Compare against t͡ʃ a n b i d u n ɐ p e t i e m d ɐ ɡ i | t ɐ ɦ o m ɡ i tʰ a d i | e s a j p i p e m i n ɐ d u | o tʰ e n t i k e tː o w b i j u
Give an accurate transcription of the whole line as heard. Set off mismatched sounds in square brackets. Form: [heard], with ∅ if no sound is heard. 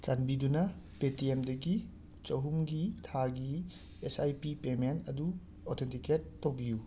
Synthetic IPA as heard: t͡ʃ a n b i d u n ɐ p e t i e m d ɐ ɡ i | [t͡ʃ] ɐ ɦ [u] m ɡ i tʰ a [ɡ] i | e s a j p i p e m [e] n ɐ d u | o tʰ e n t i k e tː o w b i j u